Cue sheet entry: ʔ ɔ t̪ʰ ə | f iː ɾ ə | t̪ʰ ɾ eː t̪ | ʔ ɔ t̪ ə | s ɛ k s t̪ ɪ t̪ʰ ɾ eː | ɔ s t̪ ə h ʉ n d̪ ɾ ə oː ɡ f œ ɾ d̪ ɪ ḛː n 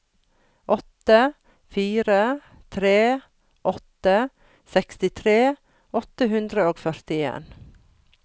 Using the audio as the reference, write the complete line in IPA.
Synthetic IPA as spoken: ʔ ɔ t̪ ə | f iː ɾ ə | t̪ʰ ɾ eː | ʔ ɔ t̪ ə | s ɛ k s t̪ ɪ t̪ʰ ɾ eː | ɔ t̪ ə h ʉ n d̪ ɾ ə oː ɡ f œ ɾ t̪ ɪ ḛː n

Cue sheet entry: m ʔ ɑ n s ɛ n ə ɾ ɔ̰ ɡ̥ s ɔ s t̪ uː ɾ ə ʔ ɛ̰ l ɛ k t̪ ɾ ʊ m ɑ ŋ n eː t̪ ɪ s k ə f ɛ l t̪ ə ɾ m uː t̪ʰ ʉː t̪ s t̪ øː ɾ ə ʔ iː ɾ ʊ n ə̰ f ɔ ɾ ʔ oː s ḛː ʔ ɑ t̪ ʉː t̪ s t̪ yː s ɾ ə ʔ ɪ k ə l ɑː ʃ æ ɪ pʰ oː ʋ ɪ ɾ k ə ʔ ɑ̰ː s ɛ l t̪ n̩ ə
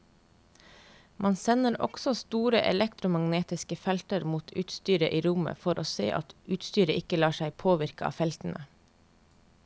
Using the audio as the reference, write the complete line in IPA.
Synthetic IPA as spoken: m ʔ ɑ n s ɛ n ə ɾ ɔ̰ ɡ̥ s ɔ s t̪ uː ɾ ə ʔ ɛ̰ l ɛ k t̪ ɾ ʊ m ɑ ŋ n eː t̪ ɪ s k ə f ɛ l t̪ ə ɾ m uː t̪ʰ ʉː t̪ s t̪ yː ɾ ə ʔ iː ɾ ʊ m ə̰ f ɔ ɾ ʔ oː s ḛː ʔ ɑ t̪ ʉː t̪ s t̪ yː ɾ ə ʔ ɪ k ə l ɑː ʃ æ ɪ pʰ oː ʋ ɪ ɾ k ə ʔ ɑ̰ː f ɛ l t̪ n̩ ə

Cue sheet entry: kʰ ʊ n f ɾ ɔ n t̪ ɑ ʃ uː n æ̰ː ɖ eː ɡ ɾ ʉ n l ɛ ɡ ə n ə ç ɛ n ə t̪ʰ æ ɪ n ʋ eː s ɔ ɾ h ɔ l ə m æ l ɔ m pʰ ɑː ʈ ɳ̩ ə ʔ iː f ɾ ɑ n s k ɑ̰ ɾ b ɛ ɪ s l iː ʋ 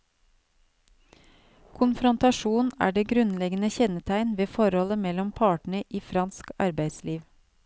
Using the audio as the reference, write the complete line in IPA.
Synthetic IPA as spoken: kʰ ʊ n f ɾ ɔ n t̪ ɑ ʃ uː n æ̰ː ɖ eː ɡ ɾ ʉ n l ɛ ɡ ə n ə ç ɛ n ə t̪ʰ æ ɪ n ʋ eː f ɔ ɾ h ɔ l ə m ɛ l ɔ m pʰ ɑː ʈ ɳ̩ ə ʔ iː f ɾ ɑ n s k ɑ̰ ɾ b æ ɪ s l iː ʋ

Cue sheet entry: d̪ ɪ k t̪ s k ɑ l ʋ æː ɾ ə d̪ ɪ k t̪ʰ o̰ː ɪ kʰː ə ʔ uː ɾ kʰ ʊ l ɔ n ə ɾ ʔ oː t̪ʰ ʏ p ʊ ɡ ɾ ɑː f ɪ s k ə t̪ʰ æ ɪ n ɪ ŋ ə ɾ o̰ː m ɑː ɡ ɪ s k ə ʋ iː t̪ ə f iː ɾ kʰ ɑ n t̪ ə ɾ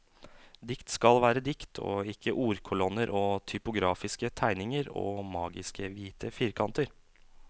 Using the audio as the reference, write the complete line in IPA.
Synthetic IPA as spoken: d̪ ɪ k t̪ s k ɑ l ʋ æː ɾ ə d̪ ɪ k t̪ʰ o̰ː ɪ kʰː ə ʔ uː ɾ kʰ ʊ l ɔ n ə ɾ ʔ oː t̪ʰ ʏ p ʊ ɡ ɾ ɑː f ɪ s k ə t̪ʰ æ ɪ n ɪ ŋ ə ɾ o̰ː m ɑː ɡ ɪ s k ə ʋ iː t̪ ə f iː ɾ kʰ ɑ n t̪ ə ɾ

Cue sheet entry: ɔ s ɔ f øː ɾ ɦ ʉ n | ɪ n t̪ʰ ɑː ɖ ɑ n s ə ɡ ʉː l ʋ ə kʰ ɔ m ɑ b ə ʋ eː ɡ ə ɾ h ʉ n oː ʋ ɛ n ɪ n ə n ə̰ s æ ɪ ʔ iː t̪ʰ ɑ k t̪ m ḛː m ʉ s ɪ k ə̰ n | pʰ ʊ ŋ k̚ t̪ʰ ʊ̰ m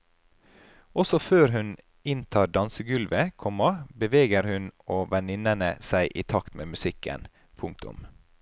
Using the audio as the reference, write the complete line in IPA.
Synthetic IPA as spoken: ɔ s ɔ f øː ɾ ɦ ʉ n | ɪ n t̪ʰ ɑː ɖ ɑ n s ə ɡ ʉ l ʋ ə kʰ ɔ m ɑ b ə ʋ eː ɡ ə ɾ h ʉ n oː ʋ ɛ n ɪ n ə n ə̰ s æ ɪ ʔ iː t̪ʰ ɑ k t̪ m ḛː m ʉ s ɪ k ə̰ n | pʰ ʊ ŋ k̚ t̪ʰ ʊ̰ m

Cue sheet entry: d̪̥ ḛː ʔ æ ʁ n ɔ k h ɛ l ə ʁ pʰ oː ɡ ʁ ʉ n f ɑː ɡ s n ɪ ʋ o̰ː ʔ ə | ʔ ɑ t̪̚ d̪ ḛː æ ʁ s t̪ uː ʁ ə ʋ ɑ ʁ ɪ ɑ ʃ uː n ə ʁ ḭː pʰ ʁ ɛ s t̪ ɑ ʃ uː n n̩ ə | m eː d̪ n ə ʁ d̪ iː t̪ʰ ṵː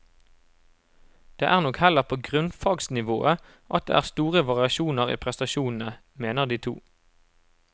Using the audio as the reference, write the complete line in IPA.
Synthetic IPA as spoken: d̪̥ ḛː ʔ æː ʁ n ɔ k h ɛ l ə ʁ pʰ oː ɡ ʁ ʉ n f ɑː ɡ s n ɪ ʋ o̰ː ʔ ə | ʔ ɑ t̪̚ d̪ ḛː æː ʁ s t̪ uː ʁ ə ʋ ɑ ʁ ɪ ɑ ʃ uː n ə ʁ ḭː pʰ ʁ ɛ s t̪ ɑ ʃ uː n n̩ ə | m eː n ə ʁ d̪ iː t̪ʰ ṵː

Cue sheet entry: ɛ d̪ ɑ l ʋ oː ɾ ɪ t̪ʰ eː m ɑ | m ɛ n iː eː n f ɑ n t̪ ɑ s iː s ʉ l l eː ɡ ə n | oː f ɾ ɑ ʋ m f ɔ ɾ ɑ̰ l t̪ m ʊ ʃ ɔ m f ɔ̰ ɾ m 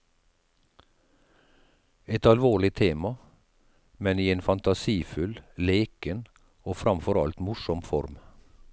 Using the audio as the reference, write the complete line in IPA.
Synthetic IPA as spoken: ɛ t̪ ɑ l ʋ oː ɭ ɪ t̪ʰ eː m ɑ | m ɛ n iː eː n f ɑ n t̪ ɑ s iː f ʉ l l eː k ə n | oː f ɾ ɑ m f ɔ ɾ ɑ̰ l t̪ m ʊ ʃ ɔ m f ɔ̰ ɾ m

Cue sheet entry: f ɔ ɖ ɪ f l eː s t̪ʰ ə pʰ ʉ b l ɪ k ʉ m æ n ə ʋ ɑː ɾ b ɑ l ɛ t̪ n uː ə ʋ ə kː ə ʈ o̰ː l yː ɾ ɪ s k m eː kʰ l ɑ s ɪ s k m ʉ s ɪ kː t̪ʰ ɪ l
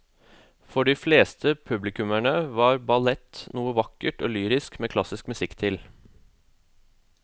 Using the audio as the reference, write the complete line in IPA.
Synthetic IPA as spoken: f ɔ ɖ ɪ f l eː s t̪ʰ ə pʰ ʉ b l ɪ k ʉ m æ ɳ ə ʋ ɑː ɾ b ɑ l ɛ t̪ n uː ə ʋ ɑ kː ə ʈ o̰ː l yː ɾ ɪ s k m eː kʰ l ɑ s ɪ s k m ʉ s ɪ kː t̪ʰ ɪ l

